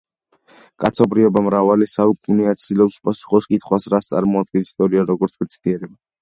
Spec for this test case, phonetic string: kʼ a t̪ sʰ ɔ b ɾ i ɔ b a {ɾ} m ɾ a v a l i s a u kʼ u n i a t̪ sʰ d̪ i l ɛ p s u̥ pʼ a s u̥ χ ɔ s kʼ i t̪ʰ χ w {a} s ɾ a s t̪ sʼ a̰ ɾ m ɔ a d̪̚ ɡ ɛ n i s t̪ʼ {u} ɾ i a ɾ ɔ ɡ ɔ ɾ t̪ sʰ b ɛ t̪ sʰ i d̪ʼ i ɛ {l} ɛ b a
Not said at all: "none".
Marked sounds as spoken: none, a, ɔ, ɾ

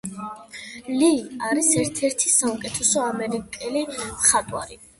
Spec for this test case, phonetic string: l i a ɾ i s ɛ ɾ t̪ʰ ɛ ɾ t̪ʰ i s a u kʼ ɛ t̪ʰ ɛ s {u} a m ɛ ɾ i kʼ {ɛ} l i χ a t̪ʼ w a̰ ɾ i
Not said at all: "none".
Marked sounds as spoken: ɔ, ɛ

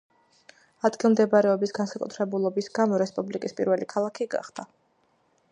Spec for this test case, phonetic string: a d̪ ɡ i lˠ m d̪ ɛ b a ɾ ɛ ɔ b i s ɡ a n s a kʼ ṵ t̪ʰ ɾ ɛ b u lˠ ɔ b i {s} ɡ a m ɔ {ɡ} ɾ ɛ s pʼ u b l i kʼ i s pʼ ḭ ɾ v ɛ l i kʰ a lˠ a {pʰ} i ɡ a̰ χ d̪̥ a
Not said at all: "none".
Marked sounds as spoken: s, none, kʰ

